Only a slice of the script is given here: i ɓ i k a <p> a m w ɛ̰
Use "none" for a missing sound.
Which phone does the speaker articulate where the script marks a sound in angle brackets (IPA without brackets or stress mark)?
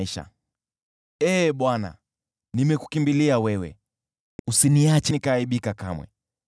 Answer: k